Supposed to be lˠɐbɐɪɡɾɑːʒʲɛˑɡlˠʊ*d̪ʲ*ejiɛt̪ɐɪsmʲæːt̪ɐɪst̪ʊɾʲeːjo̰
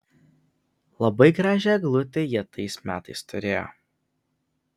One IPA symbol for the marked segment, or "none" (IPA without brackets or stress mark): t̪ʲ